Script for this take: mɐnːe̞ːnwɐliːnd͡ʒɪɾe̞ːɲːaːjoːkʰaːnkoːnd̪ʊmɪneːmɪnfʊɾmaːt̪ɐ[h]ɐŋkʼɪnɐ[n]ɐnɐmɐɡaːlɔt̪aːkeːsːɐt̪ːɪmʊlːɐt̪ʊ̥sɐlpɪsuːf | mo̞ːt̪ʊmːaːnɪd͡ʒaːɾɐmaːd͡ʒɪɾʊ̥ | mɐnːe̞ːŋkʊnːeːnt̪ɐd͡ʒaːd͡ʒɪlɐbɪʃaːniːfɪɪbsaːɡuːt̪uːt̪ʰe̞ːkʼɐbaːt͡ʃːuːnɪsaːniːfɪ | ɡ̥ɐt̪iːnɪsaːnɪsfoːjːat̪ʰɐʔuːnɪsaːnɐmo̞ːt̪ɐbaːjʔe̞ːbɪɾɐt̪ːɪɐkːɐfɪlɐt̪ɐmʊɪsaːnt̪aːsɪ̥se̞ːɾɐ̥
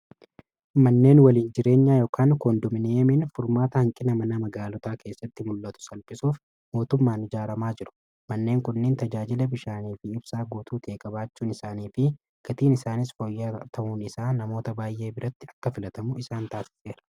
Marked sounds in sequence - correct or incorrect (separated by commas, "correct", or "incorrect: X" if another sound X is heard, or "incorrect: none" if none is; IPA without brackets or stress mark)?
correct, incorrect: m